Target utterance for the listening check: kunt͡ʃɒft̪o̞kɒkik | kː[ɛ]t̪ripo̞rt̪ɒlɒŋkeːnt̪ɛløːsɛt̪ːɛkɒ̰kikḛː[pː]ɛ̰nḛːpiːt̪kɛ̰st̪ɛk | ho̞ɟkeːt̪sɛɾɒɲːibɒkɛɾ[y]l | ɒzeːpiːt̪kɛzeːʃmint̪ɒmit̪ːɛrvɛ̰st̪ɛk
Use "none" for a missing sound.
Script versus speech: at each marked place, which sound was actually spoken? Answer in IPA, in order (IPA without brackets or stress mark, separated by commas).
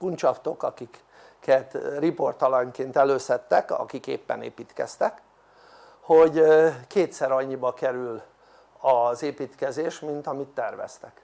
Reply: ɛ, pː, y